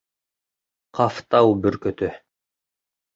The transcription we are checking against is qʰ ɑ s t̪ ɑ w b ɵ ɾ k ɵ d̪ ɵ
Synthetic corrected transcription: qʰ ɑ f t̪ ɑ w b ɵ ɾ k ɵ t̪ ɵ